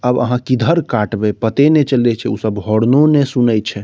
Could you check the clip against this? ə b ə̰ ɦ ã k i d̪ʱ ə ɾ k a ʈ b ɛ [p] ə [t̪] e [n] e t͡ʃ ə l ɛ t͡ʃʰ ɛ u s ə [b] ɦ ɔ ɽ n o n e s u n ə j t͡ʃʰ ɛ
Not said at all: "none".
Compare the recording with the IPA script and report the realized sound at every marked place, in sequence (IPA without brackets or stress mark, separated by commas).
p, t̪, n, b